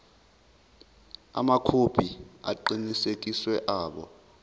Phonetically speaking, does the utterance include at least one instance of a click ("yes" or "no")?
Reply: yes